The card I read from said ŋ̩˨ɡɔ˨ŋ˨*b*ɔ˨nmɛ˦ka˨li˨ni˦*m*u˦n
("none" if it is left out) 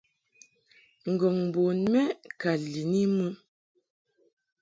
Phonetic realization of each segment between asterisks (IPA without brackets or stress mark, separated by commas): b, m